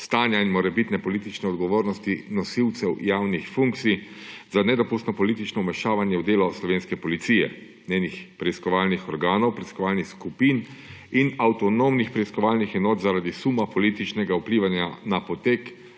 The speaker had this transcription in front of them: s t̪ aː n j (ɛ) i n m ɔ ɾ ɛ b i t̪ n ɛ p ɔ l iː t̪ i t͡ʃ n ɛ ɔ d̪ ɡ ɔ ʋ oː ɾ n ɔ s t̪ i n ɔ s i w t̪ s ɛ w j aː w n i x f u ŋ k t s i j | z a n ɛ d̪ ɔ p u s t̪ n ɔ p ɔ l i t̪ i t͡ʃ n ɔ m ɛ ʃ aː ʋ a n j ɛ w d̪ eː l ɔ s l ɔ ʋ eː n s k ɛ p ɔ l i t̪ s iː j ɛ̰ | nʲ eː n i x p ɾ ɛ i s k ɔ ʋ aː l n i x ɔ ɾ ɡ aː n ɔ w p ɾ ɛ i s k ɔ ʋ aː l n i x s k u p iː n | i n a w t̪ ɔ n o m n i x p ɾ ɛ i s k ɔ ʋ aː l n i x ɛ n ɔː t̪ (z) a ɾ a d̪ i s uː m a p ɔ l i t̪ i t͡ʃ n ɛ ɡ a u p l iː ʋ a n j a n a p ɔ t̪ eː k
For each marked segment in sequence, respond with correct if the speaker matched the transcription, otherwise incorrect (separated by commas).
incorrect, correct